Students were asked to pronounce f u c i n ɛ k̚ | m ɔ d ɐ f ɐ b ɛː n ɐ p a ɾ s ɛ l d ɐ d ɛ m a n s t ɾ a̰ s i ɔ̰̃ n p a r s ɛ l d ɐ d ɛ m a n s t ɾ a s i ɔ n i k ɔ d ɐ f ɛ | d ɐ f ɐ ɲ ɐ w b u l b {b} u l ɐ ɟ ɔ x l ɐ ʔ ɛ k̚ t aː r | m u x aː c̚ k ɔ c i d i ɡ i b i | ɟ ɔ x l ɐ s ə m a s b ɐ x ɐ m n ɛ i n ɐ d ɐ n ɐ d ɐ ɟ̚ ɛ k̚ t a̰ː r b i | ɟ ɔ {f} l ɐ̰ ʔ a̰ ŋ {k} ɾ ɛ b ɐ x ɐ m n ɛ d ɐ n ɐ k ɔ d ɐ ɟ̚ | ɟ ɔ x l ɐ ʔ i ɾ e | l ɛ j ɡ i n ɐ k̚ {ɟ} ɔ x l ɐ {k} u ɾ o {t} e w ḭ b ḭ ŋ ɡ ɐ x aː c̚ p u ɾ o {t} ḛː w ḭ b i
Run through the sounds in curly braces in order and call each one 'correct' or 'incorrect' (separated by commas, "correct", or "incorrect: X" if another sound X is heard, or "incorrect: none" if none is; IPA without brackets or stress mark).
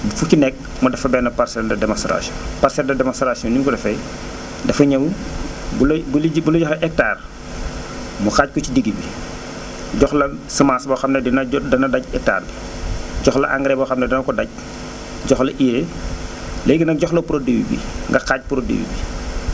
correct, incorrect: x, incorrect: ɡ, correct, incorrect: p, incorrect: d, incorrect: d